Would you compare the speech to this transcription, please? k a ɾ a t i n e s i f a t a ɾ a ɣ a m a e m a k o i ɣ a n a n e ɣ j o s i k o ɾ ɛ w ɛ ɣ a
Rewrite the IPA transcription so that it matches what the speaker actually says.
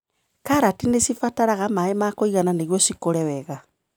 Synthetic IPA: k a ɾ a t i n e s i f a t a ɾ a ɣ a m a e m a k o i ɣ a n a n e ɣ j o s i k o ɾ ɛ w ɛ ɣ a